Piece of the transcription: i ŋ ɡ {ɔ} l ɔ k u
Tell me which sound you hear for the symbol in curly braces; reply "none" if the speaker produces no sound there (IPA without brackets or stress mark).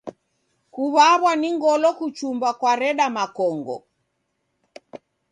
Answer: ɔ